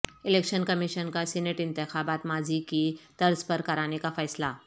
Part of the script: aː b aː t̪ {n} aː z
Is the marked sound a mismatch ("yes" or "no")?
yes